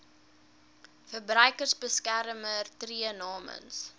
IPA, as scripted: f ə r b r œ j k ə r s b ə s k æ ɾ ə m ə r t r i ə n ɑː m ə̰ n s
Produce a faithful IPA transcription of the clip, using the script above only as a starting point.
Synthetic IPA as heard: f ə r b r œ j k ə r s b ə s k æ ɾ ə m ə r t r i ə n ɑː m ə̰ n s